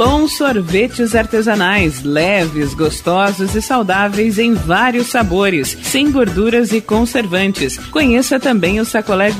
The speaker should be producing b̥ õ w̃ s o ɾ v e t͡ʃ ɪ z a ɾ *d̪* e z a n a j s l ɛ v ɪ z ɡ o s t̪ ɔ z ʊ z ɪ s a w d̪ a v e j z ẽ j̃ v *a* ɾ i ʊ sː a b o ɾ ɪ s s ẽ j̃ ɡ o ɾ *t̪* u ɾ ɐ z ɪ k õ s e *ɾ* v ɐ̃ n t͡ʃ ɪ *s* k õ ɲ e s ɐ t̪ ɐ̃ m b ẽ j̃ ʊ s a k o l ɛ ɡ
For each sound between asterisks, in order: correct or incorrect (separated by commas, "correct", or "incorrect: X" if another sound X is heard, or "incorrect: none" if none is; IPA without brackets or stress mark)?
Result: incorrect: t̪, correct, incorrect: d̪, correct, correct